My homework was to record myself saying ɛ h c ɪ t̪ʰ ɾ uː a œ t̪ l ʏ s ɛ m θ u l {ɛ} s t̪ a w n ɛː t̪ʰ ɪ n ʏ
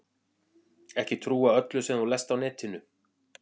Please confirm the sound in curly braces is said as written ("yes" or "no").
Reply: yes